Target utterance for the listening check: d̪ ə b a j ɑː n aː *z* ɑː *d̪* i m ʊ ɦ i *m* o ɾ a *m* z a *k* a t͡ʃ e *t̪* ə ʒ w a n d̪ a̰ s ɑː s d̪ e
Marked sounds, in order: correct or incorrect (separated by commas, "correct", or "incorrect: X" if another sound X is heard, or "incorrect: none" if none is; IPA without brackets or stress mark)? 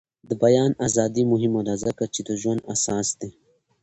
correct, correct, correct, incorrect: none, correct, incorrect: d̪